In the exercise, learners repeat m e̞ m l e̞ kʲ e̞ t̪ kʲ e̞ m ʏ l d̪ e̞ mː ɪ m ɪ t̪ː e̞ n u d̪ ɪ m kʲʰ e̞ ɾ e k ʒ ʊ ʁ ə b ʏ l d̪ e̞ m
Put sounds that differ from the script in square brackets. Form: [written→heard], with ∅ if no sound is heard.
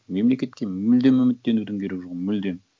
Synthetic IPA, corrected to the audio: m e̞ m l e̞ kʲ e̞ t̪ kʲ e̞ m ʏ l d̪ e̞ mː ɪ m ɪ t̪ː e̞ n u d̪ ɪ [m→ŋ] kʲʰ e̞ ɾ e k ʒ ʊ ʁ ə [b→m] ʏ l d̪ e̞ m